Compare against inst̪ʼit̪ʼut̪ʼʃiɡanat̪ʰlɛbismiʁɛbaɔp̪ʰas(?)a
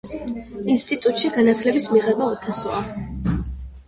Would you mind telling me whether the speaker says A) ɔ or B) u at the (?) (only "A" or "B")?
A